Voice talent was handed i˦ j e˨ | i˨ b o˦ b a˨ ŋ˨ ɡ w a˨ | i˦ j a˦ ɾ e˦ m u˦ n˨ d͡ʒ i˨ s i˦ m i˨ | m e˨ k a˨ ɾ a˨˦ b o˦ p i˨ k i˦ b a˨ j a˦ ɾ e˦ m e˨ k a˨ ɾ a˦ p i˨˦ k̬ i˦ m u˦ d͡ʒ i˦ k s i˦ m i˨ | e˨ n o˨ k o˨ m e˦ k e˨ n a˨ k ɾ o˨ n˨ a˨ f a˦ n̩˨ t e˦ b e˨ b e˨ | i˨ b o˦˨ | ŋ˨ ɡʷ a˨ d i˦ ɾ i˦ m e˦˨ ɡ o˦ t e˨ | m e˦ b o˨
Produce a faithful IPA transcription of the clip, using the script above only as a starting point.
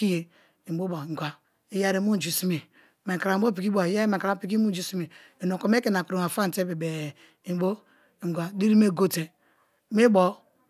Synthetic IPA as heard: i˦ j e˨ | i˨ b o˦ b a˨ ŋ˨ ɡ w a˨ | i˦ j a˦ ɾ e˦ m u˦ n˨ d͡ʒ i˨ s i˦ m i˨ | m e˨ k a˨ ɾ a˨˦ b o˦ p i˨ k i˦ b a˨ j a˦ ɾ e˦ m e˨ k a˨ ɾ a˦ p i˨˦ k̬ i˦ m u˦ d͡ʒ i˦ s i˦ m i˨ | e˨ n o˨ k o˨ m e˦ k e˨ n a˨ k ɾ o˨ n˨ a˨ f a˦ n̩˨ t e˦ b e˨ b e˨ | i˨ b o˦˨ | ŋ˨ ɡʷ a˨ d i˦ ɾ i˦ m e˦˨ ɡ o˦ t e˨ | m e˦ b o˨